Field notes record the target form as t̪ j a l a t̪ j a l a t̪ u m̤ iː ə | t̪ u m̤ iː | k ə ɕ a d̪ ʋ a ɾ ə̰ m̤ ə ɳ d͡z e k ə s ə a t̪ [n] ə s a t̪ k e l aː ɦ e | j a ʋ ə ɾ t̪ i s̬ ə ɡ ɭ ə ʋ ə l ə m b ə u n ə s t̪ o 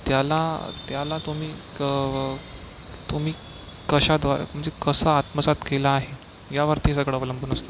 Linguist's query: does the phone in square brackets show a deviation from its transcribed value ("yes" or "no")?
yes